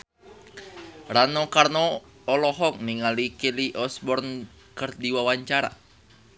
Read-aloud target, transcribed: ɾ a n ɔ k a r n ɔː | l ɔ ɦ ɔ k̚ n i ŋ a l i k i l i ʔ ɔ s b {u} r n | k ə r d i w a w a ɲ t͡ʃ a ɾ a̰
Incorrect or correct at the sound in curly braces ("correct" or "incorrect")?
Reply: incorrect